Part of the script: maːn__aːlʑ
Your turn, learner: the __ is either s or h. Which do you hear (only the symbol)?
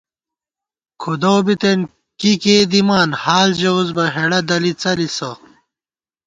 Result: h